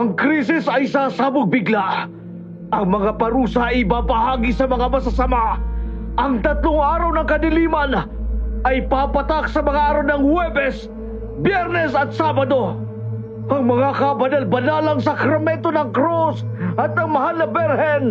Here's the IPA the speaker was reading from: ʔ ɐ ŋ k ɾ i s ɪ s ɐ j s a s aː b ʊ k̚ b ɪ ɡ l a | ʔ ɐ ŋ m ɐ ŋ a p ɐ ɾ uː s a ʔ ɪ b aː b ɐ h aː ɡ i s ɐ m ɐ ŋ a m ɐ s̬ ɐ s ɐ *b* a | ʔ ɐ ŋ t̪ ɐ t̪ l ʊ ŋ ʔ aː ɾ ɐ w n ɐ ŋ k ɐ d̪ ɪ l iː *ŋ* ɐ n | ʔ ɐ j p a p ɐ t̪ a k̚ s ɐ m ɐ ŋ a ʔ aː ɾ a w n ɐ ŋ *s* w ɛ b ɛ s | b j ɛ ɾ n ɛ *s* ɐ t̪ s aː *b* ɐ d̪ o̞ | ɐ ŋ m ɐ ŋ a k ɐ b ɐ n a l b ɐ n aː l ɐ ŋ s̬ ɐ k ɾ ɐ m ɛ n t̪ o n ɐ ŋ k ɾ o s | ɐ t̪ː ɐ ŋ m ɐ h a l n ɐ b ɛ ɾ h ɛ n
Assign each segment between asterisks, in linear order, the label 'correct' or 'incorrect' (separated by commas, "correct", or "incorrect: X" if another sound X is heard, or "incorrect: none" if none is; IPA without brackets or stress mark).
incorrect: m, incorrect: m, incorrect: h, correct, correct